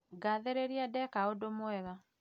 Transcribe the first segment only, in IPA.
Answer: ɡ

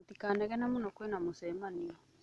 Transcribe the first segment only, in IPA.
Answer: t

